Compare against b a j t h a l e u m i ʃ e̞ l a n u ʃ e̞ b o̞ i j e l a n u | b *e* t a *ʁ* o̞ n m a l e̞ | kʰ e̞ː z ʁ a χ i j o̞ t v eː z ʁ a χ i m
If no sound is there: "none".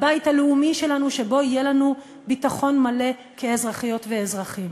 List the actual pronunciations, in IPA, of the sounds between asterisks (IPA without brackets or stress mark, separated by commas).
i, χ